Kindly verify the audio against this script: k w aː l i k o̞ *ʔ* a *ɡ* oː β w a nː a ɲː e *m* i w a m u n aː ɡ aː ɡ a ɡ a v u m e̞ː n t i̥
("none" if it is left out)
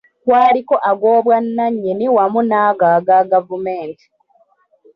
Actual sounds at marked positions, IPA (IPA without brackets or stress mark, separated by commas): ʔ, ɡ, n